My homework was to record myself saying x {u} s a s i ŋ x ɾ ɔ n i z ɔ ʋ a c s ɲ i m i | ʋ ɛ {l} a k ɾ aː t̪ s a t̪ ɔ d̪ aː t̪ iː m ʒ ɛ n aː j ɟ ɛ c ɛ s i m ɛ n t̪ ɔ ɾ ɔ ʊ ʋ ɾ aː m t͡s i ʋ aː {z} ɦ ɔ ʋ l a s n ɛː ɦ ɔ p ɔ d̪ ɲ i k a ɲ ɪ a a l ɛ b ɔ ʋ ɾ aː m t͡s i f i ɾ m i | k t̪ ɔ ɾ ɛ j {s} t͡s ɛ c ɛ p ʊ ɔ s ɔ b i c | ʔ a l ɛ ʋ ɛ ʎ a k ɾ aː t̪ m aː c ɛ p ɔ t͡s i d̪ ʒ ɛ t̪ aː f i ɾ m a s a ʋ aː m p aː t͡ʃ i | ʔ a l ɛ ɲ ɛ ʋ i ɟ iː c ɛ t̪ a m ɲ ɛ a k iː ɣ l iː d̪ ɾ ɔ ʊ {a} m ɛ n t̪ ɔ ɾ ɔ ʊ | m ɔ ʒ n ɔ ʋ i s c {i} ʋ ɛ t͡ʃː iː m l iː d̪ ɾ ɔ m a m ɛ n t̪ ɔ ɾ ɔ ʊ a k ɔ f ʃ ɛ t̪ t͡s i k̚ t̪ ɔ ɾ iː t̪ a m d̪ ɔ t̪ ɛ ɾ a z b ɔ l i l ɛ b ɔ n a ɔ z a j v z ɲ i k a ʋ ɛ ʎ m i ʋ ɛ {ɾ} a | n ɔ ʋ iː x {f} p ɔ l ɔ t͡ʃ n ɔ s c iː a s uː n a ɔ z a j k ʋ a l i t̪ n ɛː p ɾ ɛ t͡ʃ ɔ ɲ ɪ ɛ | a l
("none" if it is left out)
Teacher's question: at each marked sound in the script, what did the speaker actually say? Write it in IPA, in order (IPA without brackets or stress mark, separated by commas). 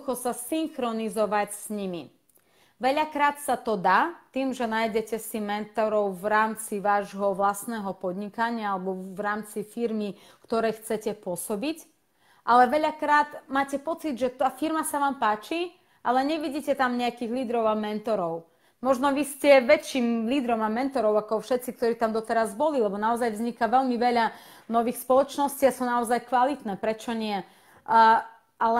ɔ, ʎ, ʒ, x, a, ɛ, ʎ, s